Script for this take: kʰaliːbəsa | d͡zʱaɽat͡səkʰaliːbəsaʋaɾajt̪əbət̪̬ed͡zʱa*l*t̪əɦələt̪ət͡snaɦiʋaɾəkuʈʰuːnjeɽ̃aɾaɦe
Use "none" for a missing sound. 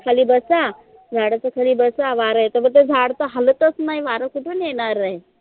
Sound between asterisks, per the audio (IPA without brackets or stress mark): ɽ